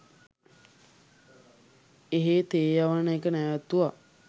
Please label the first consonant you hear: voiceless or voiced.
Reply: voiced